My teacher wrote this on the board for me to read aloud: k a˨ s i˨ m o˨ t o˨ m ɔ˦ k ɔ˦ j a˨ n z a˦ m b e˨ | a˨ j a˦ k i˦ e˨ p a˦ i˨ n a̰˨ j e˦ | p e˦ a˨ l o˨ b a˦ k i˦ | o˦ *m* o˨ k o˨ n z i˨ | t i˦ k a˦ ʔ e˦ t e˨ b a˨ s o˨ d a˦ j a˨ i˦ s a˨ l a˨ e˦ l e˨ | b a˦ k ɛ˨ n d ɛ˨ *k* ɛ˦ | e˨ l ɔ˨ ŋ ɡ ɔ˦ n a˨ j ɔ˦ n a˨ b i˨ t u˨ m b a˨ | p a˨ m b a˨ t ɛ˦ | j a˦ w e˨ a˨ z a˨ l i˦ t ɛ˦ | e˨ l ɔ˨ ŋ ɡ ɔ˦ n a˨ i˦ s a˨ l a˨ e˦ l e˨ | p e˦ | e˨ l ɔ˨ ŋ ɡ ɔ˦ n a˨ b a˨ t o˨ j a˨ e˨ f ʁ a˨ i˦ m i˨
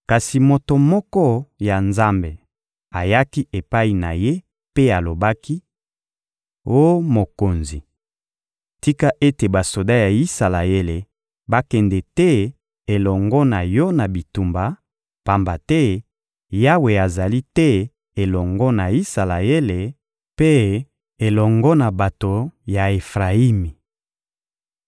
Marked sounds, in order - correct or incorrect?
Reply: correct, incorrect

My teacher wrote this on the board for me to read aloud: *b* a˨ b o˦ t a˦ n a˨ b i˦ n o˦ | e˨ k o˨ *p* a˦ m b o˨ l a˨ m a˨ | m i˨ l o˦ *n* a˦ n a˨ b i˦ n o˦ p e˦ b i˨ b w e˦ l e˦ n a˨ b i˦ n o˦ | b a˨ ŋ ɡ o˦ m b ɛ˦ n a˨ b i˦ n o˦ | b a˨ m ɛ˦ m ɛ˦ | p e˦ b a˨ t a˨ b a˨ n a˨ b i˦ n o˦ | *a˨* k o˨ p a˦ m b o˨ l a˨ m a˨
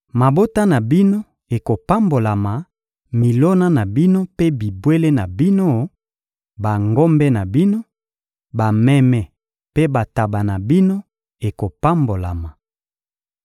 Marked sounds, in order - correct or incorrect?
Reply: incorrect, correct, correct, incorrect

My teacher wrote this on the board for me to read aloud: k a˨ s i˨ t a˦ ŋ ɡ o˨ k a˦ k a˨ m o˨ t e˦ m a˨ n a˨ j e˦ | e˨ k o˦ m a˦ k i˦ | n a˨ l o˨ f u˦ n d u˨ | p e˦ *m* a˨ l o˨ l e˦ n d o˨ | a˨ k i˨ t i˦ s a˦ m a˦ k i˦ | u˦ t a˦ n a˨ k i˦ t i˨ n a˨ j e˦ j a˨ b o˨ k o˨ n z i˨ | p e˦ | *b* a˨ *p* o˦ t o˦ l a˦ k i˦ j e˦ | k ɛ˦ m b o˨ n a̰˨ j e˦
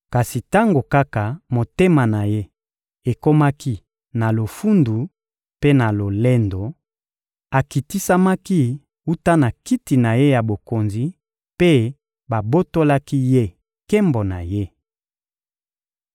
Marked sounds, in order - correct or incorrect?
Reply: incorrect, correct, incorrect

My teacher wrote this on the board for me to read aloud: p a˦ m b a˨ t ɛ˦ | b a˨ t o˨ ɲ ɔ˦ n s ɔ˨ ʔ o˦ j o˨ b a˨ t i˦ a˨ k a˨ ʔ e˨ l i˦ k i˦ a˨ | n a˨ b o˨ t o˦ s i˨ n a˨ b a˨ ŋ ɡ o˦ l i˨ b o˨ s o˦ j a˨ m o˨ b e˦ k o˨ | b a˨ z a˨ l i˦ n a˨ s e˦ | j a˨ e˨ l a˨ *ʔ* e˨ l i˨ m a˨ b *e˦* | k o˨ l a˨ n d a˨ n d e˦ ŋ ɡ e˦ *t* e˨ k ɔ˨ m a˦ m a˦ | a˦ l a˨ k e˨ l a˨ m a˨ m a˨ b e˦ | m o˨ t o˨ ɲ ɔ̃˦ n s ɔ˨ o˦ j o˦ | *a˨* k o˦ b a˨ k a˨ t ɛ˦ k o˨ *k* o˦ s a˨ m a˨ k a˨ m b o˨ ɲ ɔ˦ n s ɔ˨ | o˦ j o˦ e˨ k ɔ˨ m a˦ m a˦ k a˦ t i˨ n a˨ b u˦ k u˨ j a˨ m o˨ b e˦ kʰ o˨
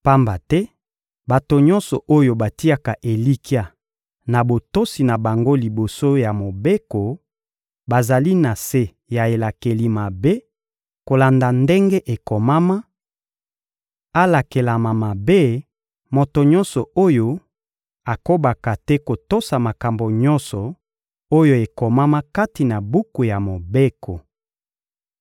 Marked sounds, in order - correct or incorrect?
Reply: incorrect, correct, incorrect, correct, incorrect

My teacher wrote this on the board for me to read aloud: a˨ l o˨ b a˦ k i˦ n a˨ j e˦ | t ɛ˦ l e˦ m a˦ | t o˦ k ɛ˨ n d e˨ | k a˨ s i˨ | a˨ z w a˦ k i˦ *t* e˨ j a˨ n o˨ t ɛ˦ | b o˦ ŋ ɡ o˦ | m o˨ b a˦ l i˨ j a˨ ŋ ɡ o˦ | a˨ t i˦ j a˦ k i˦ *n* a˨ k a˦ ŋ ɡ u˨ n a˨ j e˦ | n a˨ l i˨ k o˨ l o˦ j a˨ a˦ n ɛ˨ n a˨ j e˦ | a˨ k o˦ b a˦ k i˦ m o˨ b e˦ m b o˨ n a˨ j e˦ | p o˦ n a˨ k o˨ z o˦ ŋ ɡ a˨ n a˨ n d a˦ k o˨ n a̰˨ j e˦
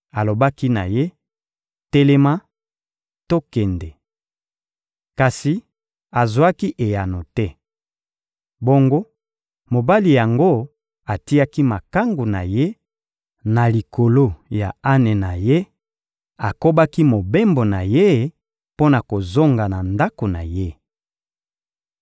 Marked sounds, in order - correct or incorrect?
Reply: incorrect, incorrect

